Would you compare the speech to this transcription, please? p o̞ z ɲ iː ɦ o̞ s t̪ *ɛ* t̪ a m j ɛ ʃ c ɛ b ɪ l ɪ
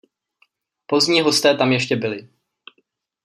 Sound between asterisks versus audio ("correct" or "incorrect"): incorrect